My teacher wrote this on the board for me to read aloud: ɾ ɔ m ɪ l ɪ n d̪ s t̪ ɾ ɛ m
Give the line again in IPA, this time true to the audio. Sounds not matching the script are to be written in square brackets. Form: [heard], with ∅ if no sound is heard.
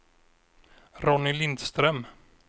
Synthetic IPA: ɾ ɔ [n] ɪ l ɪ n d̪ s t̪ ɾ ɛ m